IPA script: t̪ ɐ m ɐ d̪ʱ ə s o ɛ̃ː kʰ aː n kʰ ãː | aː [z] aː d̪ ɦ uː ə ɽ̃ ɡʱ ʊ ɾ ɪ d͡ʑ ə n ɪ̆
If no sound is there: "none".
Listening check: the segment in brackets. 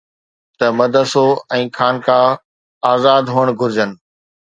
z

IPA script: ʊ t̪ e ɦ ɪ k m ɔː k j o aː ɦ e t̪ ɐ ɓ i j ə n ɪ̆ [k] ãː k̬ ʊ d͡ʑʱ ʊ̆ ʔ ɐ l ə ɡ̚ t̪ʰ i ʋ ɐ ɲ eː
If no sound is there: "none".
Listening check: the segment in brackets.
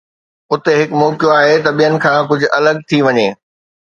kʰ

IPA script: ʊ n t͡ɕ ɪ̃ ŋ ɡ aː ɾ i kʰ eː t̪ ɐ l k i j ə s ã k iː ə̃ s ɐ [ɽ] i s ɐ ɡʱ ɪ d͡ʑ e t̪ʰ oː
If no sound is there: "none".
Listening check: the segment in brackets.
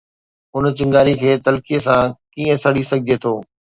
ɽ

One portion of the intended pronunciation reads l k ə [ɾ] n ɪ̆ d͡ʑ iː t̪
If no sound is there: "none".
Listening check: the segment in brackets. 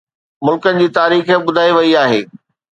none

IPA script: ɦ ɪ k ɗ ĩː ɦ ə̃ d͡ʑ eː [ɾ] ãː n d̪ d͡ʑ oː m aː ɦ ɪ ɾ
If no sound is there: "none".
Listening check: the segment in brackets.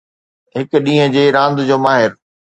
ɾ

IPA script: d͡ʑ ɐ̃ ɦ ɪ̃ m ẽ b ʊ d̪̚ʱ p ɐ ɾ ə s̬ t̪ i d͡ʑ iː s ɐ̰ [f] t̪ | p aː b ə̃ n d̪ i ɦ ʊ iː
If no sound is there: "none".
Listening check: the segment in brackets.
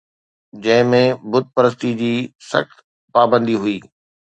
x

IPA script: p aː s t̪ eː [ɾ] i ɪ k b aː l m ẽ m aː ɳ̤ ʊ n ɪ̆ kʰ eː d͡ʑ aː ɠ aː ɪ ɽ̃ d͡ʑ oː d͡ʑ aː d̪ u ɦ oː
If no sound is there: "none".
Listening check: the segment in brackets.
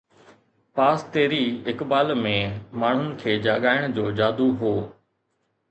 ɾ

